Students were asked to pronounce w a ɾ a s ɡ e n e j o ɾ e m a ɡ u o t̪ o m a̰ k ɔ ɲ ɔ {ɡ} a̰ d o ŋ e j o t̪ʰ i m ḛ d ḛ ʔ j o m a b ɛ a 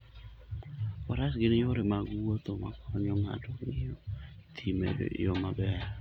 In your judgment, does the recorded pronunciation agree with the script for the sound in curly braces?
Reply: no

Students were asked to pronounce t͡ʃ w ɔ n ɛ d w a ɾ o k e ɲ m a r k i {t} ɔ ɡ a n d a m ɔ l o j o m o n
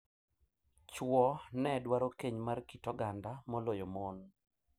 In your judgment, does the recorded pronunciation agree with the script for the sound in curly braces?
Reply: yes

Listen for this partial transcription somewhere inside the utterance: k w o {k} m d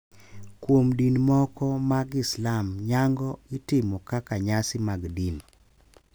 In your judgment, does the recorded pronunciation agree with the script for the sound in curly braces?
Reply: no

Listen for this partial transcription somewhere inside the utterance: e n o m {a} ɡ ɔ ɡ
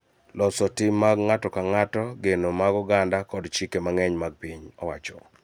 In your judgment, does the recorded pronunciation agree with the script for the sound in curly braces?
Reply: yes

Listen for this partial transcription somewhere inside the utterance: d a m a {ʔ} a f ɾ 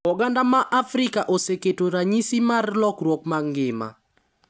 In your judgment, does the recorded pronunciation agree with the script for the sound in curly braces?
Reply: yes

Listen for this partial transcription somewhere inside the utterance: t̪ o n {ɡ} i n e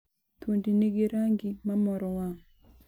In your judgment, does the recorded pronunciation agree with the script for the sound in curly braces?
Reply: no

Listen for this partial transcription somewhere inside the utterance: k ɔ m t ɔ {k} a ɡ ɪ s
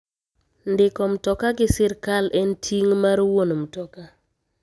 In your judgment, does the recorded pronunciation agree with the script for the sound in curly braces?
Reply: yes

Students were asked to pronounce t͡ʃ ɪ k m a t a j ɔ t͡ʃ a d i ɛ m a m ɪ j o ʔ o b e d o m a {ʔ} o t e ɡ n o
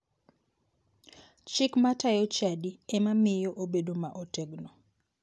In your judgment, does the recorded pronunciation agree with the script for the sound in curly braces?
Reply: yes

